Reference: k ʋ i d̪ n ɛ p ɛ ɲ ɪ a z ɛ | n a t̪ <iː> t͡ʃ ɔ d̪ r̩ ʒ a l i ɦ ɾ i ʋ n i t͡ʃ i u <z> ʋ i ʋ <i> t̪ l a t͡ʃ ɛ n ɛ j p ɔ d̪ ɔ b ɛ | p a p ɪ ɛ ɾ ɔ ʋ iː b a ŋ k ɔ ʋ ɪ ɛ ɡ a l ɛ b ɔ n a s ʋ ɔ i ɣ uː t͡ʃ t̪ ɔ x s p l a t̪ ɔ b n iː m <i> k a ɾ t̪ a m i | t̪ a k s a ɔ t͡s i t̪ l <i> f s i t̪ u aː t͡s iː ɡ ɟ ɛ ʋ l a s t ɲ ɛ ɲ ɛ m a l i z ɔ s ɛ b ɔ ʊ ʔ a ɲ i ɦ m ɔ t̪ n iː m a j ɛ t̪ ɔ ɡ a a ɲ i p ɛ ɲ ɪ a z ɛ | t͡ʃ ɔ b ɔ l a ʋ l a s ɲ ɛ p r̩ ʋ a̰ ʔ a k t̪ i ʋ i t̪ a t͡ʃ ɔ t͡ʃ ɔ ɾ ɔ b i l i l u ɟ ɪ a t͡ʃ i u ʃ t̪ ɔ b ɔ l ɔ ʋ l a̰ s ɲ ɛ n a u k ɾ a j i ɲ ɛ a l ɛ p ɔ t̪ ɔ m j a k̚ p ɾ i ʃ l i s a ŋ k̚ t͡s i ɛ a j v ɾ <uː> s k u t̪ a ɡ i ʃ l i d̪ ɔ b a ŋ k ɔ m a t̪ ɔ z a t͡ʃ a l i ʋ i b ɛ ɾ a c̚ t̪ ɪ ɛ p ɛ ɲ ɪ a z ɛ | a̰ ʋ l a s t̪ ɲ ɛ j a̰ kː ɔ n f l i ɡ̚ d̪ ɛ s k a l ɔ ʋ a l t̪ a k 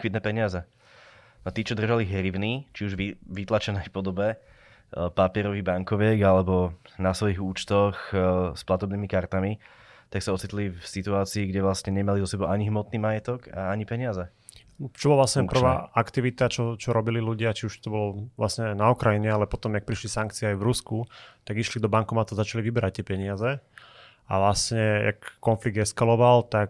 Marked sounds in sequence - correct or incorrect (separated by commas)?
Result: correct, incorrect, correct, correct, correct, incorrect